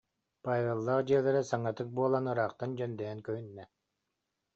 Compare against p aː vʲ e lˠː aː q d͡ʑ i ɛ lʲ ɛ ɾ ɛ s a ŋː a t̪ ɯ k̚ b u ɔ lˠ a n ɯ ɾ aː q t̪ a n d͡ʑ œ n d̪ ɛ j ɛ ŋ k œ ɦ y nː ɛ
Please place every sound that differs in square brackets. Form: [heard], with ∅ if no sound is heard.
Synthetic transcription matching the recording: p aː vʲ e lˠː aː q d͡ʑ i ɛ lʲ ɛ ɾ ɛ s a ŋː a t̪ ɯ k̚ b u ɔ lˠ a n ɯ ɾ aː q t̪ a n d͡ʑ œ n d̪ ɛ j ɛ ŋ k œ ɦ y nː ɛ